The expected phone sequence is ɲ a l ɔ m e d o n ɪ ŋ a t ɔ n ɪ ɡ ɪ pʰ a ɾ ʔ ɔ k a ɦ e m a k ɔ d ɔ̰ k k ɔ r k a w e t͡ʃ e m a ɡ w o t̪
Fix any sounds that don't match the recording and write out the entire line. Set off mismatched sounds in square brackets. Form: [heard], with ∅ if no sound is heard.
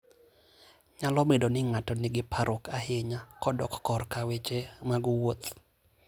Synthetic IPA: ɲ a l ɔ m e d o n ɪ ŋ a t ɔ n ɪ ɡ ɪ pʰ a ɾ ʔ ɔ k a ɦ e [ɲ] a k ɔ d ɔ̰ k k ɔ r k a w e t͡ʃ e m a ɡ w o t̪